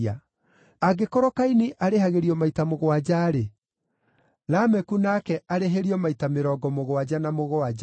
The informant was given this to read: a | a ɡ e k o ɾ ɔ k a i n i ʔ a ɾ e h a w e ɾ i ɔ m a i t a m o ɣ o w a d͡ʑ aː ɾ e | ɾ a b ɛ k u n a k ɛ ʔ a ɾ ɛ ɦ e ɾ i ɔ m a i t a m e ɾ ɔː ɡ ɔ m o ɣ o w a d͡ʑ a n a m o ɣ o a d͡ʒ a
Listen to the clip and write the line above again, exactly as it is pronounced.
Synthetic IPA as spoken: a | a ɡ e k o ɾ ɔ k a i n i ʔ a ɾ e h a ɣ e ɾ i ɔ m a i t a m o ɣ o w a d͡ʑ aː ɾ e | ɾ a m ɛ k u n a k ɛ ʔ a ɾ e ɦ e ɾ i ɔ m a i t a m e ɾ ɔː ɡ ɔ m o ɣ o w a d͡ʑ a n a m o ɣ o a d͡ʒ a